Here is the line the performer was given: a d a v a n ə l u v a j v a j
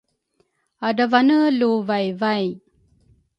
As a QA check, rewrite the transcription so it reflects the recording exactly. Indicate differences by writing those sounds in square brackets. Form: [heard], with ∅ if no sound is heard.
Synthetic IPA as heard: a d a v a n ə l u v a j v a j